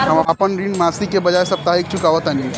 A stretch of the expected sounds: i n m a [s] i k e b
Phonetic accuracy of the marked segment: correct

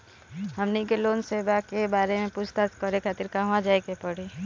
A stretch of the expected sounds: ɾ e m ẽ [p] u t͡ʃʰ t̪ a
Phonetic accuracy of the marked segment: correct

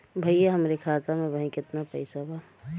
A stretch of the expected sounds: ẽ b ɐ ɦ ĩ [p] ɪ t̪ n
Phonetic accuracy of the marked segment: incorrect: k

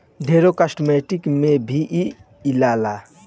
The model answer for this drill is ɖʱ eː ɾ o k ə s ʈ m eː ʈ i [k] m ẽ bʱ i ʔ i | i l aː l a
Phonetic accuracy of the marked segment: correct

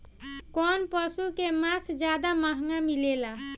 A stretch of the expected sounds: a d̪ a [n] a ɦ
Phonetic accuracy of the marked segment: incorrect: m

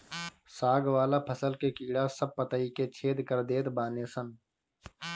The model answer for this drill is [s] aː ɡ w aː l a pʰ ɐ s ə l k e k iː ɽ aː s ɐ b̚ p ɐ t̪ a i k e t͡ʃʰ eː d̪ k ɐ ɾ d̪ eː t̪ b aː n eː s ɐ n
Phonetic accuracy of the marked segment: correct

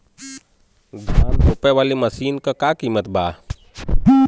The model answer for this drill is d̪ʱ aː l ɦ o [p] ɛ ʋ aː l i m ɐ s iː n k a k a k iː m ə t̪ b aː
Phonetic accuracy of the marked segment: correct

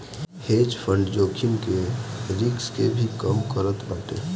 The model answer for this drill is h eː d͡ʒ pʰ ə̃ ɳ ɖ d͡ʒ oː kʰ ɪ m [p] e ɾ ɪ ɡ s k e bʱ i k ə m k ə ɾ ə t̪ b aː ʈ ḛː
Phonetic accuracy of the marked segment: incorrect: k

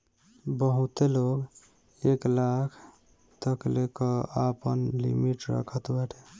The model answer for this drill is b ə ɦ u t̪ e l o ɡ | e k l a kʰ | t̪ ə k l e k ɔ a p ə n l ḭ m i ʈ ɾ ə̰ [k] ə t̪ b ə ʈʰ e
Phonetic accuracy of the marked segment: incorrect: kʰ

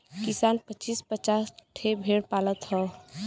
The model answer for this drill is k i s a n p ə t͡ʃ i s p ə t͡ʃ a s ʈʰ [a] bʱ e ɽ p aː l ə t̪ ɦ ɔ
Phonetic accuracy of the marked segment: incorrect: e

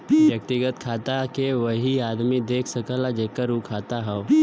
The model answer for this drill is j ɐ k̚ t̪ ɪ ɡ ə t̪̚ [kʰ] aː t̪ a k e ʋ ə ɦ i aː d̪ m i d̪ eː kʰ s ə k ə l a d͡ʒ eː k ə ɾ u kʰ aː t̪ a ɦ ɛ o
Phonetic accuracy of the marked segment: correct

